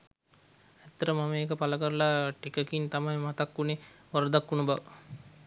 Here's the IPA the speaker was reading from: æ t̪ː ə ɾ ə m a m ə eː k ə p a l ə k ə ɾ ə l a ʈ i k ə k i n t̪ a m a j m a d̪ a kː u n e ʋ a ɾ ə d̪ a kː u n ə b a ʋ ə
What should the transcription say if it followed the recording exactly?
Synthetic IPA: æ t̪ː ə ɾ ə m a m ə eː k ə p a l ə k ə ɾ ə l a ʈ i k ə k i n t̪ a m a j m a t̪ a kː u n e ʋ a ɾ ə d̪ a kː u n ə b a ʋ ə